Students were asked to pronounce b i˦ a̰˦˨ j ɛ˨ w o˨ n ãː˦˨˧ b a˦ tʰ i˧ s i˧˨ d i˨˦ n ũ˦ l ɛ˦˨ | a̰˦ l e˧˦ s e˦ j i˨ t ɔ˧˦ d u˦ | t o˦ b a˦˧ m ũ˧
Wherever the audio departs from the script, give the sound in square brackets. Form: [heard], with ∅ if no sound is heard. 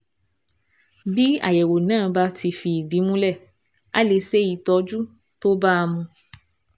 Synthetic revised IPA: b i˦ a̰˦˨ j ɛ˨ w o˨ n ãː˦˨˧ b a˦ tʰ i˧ [f] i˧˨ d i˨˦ [m] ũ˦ l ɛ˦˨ | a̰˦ l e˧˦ s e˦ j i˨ t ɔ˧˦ [d͡ʒ] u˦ | t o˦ b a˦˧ m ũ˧